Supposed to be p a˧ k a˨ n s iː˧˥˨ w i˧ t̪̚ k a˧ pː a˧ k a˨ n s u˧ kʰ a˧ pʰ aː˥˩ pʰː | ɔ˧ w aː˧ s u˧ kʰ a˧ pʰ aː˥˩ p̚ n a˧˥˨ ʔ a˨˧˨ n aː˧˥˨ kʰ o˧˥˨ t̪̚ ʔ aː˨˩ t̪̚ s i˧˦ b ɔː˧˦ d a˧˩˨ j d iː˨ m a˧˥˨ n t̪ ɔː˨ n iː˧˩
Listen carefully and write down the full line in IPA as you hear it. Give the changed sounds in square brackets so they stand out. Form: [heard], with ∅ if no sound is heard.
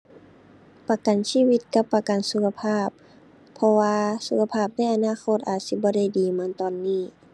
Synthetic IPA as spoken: p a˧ k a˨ n s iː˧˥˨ w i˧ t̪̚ k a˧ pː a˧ k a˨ n s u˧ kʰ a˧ pʰ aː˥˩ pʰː | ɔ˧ w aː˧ s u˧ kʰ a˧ pʰ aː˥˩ p̚ n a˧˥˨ ʔ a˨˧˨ n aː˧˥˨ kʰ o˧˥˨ t̪̚ ʔ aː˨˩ t̪̚ s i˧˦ b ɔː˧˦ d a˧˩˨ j d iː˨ m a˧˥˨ n t̪ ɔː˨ [nː] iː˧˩